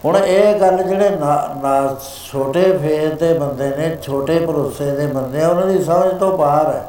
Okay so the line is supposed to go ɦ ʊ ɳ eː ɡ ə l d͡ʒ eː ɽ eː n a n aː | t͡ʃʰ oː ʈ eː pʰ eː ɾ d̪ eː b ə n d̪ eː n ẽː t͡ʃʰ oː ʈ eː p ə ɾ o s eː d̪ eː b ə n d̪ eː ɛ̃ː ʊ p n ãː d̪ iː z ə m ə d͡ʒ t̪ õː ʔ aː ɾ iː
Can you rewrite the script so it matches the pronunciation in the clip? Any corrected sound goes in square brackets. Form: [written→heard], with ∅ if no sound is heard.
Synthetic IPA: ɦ ʊ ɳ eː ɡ ə l d͡ʒ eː ɽ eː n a n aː | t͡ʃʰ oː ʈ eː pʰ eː ɾ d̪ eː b ə n d̪ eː n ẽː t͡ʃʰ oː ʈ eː p ə ɾ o s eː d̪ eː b ə n d̪ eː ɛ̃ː ʊ [p→∅] n ãː d̪ iː [z→s] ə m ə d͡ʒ t̪ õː [ʔ→p] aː ɾ [iː→ɛː]